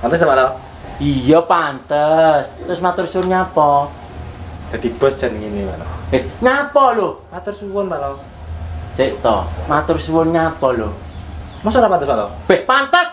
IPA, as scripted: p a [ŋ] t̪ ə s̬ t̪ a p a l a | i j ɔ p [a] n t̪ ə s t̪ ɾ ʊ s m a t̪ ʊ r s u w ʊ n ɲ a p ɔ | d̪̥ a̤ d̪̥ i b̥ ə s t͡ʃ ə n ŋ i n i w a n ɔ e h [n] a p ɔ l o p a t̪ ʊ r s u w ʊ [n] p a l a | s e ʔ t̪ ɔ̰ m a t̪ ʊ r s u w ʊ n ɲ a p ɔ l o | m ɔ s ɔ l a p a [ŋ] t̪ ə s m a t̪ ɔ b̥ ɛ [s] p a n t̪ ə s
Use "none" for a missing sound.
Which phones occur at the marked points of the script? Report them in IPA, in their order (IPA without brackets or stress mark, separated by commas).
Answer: n, a, ɲ, n, n, h